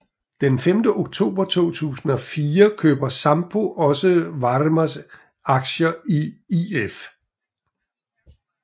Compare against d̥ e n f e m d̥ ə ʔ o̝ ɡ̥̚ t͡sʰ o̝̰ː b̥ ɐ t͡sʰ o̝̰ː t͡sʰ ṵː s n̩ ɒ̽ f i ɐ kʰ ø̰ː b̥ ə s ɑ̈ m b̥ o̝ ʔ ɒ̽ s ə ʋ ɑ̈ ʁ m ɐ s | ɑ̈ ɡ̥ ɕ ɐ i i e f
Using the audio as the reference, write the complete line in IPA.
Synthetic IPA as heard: d̥ e n f e m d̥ ə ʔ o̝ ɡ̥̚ t͡sʰ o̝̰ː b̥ ɐ t͡sʰ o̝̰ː t͡sʰ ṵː s n̩ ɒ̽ f iː ɐ kʰ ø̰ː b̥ ɐ s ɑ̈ m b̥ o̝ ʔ ɒ̽ s ə ʋ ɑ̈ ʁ m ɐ s | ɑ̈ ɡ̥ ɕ ɐ i i e f